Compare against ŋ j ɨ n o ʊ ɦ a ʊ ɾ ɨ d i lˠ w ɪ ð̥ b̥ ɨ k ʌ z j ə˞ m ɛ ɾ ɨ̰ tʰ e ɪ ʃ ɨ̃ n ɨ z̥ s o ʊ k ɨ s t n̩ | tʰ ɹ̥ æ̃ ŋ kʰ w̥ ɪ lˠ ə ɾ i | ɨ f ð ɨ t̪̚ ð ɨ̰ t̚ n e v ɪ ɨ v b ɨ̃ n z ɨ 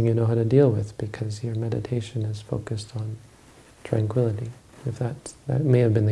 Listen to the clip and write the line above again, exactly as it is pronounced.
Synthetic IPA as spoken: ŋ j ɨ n o ʊ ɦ a ʊ ɾ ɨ d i lˠ w ɪ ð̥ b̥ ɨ kʰ ʌ z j ə˞ m ɛ ɾ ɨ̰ tʰ e ɪ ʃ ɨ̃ n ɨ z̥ f o ʊ k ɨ s t n̩ | tʰ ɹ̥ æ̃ ŋ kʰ w̥ ɪ lˠ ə ɾ i | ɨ f ð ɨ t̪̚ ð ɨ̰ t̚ m e ɪ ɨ v b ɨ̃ n ð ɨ

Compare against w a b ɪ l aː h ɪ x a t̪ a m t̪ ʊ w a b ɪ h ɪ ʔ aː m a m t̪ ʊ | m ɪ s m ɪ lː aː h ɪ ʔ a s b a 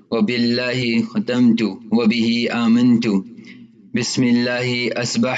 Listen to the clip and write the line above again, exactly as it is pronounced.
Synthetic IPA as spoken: w a b ɪ lː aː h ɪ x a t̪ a m t̪ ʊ w a b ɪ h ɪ ʔ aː m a n t̪ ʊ | b ɪ s m ɪ lː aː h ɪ ʔ a s b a

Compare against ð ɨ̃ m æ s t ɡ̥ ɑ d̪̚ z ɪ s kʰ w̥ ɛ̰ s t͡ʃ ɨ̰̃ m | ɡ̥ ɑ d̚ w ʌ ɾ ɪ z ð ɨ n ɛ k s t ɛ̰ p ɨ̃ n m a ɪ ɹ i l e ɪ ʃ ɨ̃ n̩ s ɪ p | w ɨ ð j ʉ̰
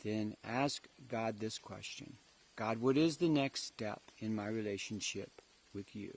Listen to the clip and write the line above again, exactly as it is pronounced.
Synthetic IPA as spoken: ð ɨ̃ n æ s k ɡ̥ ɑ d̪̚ ð ɪ s kʰ w̥ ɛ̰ s t͡ʃ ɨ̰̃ n | ɡ̥ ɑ d̚ w ʌ ɾ ɪ z ð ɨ n ɛ k s t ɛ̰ p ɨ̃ n m a ɪ ɹ i l e ɪ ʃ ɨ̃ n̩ ʃ ɪ p | w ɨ ð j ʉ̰

